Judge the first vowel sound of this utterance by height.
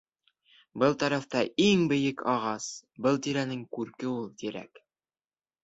mid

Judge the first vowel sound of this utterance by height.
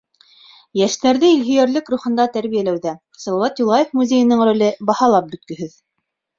low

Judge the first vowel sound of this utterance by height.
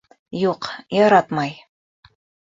high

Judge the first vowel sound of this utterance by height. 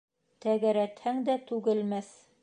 low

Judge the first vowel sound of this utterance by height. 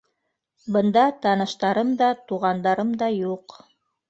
mid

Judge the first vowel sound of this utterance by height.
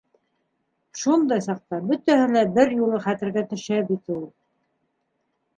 high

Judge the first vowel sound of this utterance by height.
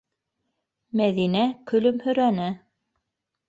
low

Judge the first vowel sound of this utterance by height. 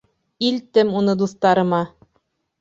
high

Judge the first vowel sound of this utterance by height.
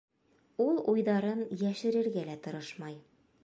high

